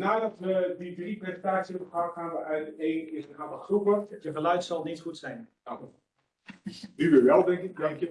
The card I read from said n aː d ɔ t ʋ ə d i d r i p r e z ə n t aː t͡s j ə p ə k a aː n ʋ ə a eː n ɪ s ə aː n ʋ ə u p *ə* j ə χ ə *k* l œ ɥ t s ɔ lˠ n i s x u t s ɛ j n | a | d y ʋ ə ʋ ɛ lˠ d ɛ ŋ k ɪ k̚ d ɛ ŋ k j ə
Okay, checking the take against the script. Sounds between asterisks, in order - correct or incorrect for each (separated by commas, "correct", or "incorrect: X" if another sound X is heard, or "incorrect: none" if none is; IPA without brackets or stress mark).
correct, incorrect: none